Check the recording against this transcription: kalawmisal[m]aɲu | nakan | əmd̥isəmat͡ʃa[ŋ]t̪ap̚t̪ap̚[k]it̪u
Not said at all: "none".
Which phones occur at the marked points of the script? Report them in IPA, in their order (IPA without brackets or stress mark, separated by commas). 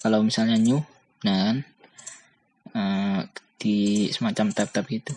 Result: ɲ, m, ɡ